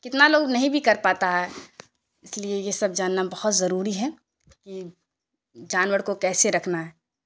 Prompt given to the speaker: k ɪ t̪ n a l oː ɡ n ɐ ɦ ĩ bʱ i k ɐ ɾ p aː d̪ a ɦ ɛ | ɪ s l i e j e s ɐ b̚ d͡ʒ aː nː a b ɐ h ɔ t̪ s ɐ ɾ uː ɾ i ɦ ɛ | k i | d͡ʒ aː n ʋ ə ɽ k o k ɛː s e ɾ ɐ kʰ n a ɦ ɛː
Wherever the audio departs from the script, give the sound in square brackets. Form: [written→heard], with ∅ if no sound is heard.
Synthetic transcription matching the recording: k ɪ t̪ n a l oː ɡ n ɐ ɦ ĩ bʱ i k ɐ ɾ p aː [d̪→t̪] a ɦ ɛ | ɪ s l i e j e s ɐ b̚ d͡ʒ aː nː a b ɐ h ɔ t̪ [s→z] ɐ ɾ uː ɾ i ɦ ɛ | k i | d͡ʒ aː n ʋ ə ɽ k o k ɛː s e ɾ ɐ kʰ n a ɦ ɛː